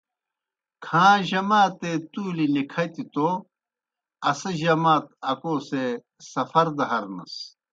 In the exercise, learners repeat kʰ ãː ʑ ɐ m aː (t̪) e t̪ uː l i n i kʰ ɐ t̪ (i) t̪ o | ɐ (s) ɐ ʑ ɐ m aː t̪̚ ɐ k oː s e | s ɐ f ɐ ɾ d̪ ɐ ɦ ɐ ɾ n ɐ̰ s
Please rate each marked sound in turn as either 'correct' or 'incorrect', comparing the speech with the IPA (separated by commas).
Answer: correct, correct, correct